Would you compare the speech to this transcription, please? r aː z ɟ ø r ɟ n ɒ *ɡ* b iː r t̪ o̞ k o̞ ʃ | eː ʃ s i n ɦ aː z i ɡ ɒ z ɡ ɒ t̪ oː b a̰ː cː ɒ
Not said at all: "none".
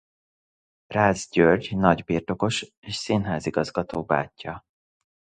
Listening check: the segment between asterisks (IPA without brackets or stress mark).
ɟ